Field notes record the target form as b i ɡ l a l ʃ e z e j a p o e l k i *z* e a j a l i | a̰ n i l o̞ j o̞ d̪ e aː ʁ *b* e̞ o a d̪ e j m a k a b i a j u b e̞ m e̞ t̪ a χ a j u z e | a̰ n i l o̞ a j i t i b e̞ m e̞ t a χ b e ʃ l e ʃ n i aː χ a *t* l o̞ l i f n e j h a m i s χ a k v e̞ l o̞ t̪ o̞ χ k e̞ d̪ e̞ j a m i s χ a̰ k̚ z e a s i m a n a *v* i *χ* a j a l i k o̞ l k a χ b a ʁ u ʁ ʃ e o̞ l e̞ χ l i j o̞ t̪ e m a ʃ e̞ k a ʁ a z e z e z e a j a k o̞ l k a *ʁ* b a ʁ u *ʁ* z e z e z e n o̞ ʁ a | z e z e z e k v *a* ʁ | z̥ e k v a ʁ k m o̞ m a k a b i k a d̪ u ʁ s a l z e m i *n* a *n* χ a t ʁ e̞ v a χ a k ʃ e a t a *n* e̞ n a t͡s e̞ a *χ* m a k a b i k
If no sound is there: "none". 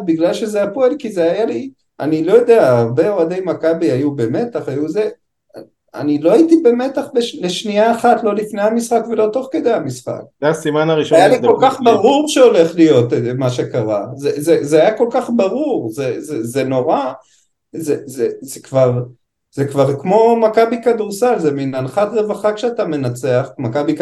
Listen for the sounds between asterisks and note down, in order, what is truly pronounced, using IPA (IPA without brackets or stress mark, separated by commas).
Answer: z, b, t, ʁ, ʃ, χ, ʁ, a, n, n, m, χ